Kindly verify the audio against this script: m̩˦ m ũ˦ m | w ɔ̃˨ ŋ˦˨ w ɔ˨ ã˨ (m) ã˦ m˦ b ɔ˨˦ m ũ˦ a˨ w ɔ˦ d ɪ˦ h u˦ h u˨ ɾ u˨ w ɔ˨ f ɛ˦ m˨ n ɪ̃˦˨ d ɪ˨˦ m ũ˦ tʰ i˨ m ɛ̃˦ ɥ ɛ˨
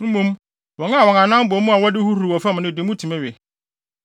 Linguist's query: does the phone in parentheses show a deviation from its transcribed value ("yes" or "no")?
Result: yes